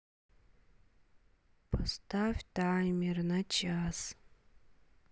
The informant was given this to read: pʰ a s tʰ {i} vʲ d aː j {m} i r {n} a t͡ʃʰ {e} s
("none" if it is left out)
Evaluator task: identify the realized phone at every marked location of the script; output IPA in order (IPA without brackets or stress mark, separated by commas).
a, m, n, a